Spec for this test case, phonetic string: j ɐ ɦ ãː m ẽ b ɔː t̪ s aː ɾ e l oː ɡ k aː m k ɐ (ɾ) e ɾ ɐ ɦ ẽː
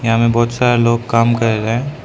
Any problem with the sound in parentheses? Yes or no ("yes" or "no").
no